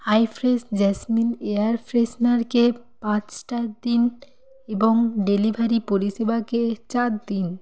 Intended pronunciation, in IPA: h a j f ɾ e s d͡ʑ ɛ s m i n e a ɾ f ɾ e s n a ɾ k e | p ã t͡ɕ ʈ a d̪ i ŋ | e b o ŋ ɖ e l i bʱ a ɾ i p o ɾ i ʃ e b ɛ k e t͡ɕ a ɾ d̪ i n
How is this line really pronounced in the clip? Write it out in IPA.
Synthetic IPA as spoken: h a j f ɾ e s d͡ʑ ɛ s m i n e a ɾ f ɾ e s n a ɾ k e | p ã t͡ɕ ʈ a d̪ i n | e b o ŋ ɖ e l i bʱ a ɾ i p o ɾ i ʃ e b a k e t͡ɕ a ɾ d̪ i n